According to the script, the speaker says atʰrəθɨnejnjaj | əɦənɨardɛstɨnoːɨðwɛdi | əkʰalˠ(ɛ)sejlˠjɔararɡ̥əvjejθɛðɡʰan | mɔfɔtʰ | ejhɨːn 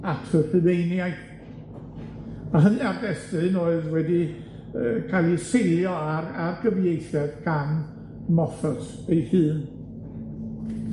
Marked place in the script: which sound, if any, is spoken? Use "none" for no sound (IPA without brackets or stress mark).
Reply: i